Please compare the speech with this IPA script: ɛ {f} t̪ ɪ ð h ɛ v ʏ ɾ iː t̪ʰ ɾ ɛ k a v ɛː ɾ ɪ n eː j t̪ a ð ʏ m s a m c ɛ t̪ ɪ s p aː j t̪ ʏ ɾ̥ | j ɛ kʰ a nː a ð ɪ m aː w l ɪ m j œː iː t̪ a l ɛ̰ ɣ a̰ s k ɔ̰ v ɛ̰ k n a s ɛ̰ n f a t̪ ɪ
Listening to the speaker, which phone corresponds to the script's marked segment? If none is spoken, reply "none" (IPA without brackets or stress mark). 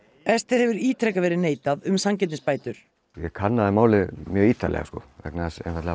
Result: s